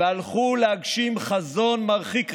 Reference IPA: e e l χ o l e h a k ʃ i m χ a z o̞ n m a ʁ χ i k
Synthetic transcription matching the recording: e a l χ u l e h a ɡ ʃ i m χ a z o̞ n m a ʁ χ i k